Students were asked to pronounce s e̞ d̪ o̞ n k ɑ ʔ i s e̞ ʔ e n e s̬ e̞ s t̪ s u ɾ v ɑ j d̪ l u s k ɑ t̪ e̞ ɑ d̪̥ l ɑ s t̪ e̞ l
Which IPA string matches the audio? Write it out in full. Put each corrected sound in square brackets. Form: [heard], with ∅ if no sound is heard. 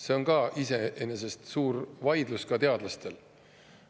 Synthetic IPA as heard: s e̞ [∅] o̞ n k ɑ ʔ i s e̞ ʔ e n e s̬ e̞ s t̪ s [uː] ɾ v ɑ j d̪ l u s k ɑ t̪ e̞ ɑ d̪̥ l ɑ s t̪ e̞ l